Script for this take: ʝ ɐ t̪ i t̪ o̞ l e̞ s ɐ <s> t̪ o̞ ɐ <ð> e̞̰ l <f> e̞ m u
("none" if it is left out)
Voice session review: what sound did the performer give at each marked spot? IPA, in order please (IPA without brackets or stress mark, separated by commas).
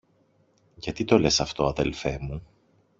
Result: f, ð, f